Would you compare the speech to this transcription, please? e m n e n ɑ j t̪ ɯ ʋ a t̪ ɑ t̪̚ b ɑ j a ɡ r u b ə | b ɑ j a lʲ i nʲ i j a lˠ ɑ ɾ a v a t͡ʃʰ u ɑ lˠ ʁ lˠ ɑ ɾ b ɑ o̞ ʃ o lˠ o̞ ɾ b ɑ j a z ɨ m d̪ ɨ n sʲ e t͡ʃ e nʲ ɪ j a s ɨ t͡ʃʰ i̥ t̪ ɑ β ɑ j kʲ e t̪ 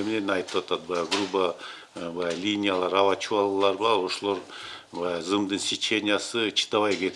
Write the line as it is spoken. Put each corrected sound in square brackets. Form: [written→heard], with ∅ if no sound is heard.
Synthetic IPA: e m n e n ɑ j t̪ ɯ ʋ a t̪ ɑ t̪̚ b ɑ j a ɡ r u b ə | b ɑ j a lʲ i nʲ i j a lˠ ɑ ɾ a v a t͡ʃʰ u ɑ lˠ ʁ lˠ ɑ ɾ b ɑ o̞ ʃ o lˠ o̞ ɾ b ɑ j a z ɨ m d̪ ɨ n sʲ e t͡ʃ e nʲ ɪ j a s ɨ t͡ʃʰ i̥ t̪ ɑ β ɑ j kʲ e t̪